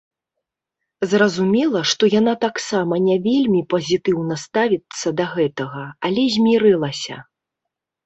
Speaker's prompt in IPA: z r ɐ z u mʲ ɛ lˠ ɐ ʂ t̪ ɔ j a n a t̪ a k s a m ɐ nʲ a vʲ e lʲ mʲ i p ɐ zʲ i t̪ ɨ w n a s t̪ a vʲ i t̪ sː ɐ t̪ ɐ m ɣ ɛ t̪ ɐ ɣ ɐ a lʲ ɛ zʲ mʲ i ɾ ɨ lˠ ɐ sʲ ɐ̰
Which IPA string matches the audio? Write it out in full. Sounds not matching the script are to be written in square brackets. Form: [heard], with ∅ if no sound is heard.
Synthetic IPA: z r ɐ z u mʲ ɛ lˠ ɐ ʂ t̪ ɔ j a n a t̪ a k s a m ɐ nʲ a vʲ e lʲ mʲ i p ɐ zʲ i t̪ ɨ w n [ɐ] s t̪ a vʲ i t̪ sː ɐ [d̪] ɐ [∅] ɣ ɛ t̪ ɐ ɣ ɐ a lʲ ɛ zʲ mʲ i ɾ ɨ lˠ ɐ sʲ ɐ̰